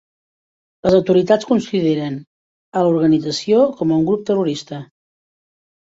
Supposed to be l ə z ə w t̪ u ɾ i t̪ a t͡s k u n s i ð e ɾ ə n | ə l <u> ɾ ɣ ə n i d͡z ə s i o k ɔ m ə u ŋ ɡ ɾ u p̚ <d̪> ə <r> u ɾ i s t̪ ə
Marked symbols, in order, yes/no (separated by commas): yes, no, yes